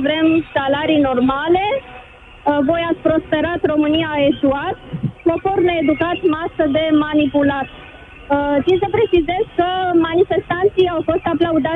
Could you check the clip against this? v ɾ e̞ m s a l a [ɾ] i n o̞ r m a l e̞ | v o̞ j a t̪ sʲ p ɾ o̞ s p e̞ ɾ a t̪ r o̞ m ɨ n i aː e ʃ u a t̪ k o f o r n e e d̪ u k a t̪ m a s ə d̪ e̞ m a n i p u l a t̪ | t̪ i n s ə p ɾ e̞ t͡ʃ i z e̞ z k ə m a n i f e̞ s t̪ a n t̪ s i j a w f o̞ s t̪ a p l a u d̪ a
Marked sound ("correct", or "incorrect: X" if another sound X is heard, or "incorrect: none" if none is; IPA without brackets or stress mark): correct